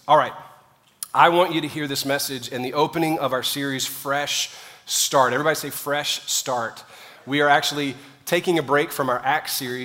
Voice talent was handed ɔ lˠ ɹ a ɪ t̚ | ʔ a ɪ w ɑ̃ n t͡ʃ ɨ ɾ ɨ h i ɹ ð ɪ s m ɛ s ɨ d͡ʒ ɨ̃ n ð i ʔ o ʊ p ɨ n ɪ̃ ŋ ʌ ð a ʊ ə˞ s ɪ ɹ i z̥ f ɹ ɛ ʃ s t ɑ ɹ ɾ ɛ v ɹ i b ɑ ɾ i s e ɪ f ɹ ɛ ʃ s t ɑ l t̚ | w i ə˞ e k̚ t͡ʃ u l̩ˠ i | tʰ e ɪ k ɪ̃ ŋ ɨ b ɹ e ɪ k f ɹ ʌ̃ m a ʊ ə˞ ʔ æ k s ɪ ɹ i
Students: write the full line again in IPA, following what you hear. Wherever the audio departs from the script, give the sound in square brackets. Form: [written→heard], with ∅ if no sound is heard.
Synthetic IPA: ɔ lˠ ɹ a ɪ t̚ | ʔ a ɪ w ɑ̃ n t͡ʃ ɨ ɾ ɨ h i ɹ ð ɪ s m ɛ s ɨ d͡ʒ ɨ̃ n ð i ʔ o ʊ p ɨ n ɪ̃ ŋ ʌ [ð→v] a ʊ ə˞ s ɪ ɹ i z̥ f ɹ ɛ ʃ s t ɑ ɹ ɾ ɛ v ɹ i b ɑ ɾ i s e ɪ f ɹ ɛ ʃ s t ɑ [l→ɹ] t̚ | w i ə˞ [e→æ] k̚ t͡ʃ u l̩ˠ i | tʰ e ɪ k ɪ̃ ŋ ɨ b ɹ e ɪ k f ɹ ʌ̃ m a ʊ ə˞ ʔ æ k s ɪ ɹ i